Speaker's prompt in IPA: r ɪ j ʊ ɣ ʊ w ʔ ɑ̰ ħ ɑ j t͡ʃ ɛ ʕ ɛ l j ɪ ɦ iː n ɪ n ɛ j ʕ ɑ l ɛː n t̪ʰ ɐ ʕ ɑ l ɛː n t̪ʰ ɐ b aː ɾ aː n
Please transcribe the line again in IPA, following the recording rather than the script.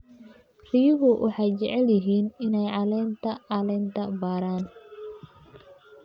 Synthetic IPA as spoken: r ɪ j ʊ ɣ ʊ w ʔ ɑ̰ ħ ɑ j t͡ʃ ɛ ʕ ɛ l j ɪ ɦ iː n ɪ n ɛ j ʕ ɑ l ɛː n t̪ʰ ɐ ʕ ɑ l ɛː n t̪ʰ ɐ b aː ɾ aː n